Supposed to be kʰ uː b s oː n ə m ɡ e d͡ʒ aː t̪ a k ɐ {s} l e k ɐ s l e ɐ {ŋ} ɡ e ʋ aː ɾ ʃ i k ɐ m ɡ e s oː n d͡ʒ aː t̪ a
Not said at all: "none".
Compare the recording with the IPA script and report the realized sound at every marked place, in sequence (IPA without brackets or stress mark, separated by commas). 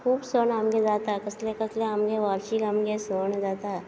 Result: s, m